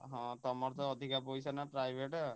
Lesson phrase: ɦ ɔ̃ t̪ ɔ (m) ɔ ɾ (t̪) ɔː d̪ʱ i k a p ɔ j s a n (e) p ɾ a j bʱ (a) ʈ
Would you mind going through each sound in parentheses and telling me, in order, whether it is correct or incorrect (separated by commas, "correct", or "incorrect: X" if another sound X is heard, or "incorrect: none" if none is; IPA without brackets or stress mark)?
correct, correct, incorrect: a, incorrect: e